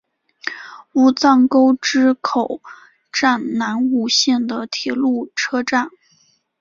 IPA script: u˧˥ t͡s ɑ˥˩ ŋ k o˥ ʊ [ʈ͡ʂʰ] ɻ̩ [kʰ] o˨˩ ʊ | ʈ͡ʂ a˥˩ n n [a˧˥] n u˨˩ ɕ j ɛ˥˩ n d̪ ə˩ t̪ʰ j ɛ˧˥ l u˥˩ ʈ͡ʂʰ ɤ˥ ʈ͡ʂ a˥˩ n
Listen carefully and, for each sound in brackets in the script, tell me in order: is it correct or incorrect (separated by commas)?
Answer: incorrect, correct, correct